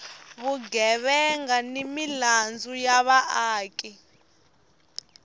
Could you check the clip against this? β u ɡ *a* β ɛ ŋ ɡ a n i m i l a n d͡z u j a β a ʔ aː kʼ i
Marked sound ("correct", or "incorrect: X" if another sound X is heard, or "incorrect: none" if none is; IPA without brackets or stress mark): incorrect: ɛ